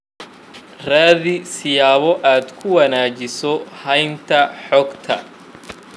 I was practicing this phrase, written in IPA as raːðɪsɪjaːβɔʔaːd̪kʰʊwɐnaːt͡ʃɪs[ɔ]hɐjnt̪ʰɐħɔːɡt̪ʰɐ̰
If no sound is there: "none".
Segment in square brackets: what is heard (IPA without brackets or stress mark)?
ɔ